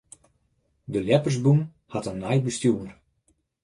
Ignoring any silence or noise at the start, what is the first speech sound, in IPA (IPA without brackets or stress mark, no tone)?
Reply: d